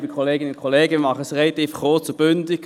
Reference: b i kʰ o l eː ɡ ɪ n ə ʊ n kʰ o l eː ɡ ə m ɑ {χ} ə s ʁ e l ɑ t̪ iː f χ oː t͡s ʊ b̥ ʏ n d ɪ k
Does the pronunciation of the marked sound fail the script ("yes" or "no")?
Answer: no